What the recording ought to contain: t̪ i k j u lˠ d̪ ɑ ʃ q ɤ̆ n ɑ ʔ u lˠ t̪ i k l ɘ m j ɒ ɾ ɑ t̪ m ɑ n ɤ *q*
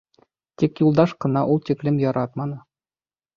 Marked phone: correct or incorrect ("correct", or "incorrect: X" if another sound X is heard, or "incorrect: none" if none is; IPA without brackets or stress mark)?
incorrect: none